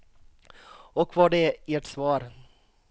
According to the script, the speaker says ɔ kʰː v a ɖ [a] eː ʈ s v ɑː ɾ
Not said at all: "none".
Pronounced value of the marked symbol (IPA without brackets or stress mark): ɛ